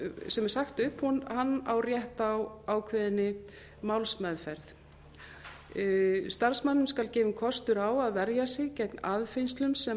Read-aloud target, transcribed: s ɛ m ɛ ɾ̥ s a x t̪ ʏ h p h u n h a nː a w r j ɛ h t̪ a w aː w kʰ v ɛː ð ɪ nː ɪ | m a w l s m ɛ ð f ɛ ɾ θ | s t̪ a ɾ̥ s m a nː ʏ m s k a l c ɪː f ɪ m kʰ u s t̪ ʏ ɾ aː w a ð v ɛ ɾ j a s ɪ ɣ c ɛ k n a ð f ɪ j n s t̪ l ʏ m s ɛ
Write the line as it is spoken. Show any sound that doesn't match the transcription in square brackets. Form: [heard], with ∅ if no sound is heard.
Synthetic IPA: s ɛ m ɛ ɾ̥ s a x t̪ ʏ h p h u n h a nː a w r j ɛ h t̪ a w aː w kʰ v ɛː ð ɪ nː ɪ | m a w l s m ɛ ð f ɛ ɾ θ | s t̪ a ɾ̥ s m a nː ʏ m s k a l c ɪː [v] ɪ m kʰ [ɔ] s t̪ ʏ ɾ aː w a ð v ɛ ɾ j a s ɪ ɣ c ɛ k n a ð f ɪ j n s t̪ l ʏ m s ɛ